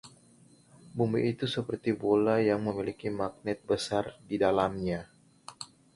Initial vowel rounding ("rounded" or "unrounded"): rounded